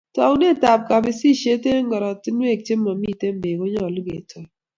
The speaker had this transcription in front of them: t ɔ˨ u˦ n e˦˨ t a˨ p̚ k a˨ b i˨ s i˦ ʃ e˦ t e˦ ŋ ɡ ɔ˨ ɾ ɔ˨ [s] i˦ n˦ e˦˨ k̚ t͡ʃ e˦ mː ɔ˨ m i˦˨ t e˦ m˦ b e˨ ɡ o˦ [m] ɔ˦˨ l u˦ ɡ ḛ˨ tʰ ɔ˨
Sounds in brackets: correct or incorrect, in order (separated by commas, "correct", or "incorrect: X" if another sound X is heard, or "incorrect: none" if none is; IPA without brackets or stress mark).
incorrect: t, incorrect: ɲ